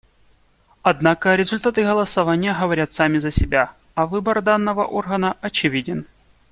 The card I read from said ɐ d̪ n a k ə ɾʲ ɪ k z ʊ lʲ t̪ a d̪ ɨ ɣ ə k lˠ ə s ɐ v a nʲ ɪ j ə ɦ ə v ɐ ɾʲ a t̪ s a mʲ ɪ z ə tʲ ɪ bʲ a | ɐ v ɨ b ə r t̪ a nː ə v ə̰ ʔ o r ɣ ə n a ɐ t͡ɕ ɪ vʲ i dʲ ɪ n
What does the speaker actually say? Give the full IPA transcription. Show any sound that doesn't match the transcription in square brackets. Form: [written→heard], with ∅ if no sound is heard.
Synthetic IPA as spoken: ɐ d̪ n a k ə ɾʲ ɪ [k→∅] z ʊ lʲ t̪ a [d̪→t̪] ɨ ɣ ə [k→∅] lˠ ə s ɐ v a nʲ ɪ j ə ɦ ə v ɐ ɾʲ a t̪ s a mʲ ɪ z ə [tʲ→sʲ] ɪ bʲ a | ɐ v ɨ b ə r [t̪→d̪] a nː ə v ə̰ ʔ o r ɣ ə n [a→ə] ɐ t͡ɕ ɪ vʲ i dʲ ɪ n